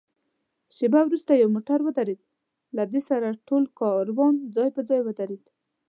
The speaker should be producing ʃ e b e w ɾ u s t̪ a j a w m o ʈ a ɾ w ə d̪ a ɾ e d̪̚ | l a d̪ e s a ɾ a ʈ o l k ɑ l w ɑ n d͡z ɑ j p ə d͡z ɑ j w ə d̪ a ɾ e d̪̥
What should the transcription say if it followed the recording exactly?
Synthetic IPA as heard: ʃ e b a w ɾ u s t̪ a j a w m o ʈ a ɾ w ə d̪ a ɾ e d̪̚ | l a d̪ e s a ɾ a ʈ o l k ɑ ɾ w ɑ n d͡z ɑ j p ə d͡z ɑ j w ə d̪ a ɾ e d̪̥